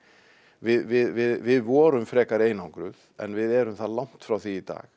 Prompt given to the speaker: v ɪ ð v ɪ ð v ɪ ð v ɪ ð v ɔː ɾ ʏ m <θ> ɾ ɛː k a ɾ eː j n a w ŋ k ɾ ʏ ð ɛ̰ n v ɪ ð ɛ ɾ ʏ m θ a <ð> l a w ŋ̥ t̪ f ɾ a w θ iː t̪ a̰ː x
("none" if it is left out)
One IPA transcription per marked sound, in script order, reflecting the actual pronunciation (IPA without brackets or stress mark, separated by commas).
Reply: f, ð